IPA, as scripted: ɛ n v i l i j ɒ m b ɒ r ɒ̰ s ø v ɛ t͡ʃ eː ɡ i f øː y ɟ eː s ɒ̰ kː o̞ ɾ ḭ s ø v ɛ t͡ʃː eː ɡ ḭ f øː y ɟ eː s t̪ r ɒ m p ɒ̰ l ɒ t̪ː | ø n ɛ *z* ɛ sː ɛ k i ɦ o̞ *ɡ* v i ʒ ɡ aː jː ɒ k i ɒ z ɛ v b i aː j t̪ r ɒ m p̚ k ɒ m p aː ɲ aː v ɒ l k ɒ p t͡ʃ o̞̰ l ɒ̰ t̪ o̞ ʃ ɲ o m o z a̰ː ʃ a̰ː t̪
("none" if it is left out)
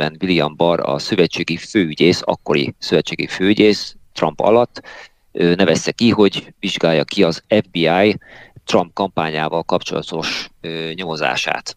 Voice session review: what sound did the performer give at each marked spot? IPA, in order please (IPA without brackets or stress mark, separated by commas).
v, ɟ